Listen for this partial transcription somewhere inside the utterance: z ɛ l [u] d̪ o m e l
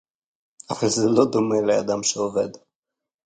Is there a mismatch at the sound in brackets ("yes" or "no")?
yes